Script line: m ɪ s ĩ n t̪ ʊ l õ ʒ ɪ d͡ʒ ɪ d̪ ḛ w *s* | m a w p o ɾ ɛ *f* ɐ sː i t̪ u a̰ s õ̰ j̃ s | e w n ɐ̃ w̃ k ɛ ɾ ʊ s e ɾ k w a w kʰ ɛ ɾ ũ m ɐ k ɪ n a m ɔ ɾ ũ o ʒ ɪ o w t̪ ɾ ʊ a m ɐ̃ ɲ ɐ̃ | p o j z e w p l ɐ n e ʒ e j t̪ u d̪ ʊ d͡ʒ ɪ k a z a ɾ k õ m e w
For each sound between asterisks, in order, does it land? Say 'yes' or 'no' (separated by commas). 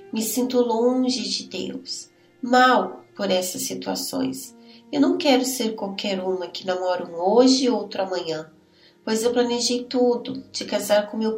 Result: yes, no